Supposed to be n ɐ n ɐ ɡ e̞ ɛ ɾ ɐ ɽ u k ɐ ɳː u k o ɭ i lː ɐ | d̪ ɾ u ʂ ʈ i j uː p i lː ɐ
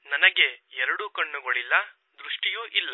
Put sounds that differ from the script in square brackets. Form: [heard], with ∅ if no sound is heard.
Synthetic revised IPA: n ɐ n ɐ ɡ e̞ ɛ ɾ ɐ ɽ u k ɐ ɳː u [ɡ] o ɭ i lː ɐ | d̪ ɾ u ʂ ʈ i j uː [ʔ] i lː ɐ